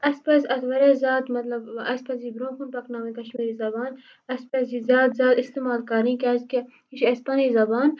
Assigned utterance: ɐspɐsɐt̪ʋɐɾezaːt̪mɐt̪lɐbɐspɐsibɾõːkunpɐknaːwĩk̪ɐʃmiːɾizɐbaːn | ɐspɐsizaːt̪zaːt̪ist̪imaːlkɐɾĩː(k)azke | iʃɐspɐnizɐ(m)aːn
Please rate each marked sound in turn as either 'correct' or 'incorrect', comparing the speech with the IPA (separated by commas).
correct, incorrect